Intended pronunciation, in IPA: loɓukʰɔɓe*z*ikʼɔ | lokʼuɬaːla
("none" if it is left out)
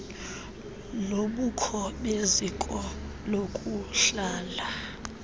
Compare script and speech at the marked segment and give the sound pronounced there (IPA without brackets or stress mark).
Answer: z